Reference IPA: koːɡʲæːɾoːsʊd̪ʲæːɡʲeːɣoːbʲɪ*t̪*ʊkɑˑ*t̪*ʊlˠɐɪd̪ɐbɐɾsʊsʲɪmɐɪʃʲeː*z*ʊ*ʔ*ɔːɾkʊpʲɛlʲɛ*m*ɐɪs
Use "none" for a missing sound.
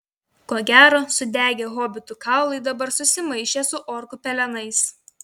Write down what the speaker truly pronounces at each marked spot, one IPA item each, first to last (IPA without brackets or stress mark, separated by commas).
t̪, none, s, ʔ, n